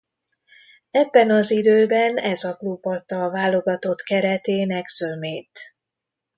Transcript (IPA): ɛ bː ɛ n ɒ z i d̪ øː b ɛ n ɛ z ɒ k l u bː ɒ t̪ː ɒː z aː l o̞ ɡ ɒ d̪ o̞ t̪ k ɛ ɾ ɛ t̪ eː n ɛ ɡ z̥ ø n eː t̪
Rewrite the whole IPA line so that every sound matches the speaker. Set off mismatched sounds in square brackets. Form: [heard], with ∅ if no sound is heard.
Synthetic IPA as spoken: ɛ bː ɛ n ɒ z i d̪ øː b ɛ n ɛ z ɒ k l u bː ɒ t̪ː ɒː [v] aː l o̞ ɡ ɒ [t̪] o̞ t̪ k ɛ ɾ ɛ t̪ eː n ɛ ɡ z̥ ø [m] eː t̪